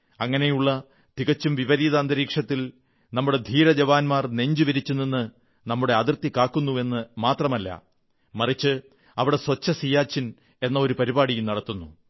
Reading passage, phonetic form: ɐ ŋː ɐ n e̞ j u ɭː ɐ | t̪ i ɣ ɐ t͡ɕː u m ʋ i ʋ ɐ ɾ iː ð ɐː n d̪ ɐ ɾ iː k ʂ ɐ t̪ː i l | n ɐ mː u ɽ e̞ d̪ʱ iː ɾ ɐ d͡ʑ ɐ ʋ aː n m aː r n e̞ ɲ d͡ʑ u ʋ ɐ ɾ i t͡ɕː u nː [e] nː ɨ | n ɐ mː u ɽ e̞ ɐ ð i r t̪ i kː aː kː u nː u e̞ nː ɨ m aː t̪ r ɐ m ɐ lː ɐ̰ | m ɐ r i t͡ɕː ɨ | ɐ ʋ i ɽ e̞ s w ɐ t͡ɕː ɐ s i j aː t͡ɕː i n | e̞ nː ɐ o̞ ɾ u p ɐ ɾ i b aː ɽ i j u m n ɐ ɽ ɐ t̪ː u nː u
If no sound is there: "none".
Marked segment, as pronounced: i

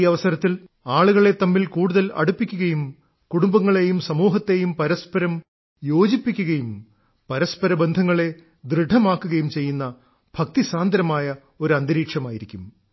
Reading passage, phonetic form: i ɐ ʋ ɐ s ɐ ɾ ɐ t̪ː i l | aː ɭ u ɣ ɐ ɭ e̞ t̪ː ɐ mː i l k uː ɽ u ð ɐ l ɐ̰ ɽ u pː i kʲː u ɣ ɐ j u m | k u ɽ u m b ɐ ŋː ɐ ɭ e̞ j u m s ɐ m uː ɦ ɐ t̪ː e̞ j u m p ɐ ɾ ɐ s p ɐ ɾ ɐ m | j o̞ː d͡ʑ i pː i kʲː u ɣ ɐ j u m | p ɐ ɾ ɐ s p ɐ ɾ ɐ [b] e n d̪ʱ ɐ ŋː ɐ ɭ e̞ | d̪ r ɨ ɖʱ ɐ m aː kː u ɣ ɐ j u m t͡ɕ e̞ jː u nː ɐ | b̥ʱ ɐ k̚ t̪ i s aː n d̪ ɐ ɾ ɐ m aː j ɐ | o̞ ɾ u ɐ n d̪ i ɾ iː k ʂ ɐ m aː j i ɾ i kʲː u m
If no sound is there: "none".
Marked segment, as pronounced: b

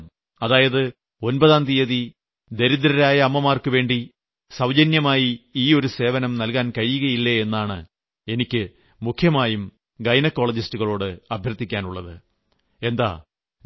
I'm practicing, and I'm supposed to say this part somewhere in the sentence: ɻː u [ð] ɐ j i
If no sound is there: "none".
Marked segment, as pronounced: ɣ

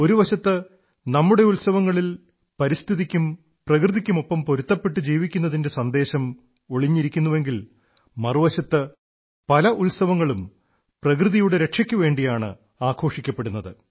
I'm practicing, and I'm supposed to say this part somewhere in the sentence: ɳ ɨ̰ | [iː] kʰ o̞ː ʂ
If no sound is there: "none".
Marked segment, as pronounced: aː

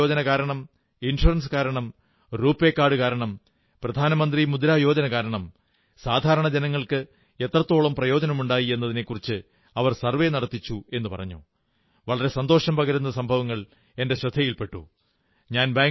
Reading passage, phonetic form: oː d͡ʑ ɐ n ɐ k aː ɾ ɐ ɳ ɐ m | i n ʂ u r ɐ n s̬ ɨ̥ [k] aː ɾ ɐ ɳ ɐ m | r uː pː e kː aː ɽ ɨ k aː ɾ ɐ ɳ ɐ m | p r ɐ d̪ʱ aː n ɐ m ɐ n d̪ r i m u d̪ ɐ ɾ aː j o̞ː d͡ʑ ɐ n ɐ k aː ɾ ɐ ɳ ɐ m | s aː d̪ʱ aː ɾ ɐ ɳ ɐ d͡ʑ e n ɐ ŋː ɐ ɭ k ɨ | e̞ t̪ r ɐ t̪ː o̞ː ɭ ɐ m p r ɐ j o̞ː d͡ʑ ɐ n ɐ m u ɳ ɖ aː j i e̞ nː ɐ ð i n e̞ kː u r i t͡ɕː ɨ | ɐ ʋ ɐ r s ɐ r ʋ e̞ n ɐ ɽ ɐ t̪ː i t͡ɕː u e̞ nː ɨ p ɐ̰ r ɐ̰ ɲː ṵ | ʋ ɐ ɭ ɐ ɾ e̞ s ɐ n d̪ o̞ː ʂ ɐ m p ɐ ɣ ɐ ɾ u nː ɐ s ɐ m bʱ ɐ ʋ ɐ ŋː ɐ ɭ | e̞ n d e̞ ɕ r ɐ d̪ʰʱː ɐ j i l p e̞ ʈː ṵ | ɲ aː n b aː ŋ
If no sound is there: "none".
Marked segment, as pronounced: k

